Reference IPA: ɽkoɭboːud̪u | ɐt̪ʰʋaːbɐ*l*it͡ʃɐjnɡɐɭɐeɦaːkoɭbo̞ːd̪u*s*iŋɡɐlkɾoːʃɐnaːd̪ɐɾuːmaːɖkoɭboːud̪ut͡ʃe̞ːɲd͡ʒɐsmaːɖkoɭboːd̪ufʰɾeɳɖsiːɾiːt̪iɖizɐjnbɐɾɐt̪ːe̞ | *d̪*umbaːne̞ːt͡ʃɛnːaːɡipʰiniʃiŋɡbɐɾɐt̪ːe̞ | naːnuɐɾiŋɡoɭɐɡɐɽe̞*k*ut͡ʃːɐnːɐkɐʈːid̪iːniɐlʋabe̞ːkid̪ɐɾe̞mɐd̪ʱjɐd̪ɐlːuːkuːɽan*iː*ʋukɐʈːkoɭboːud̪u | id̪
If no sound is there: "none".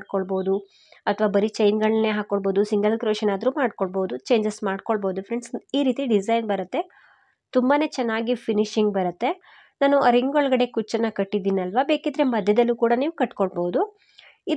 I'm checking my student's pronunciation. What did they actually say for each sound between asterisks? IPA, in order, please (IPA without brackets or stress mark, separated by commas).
ɾ, s, t̪, k, iː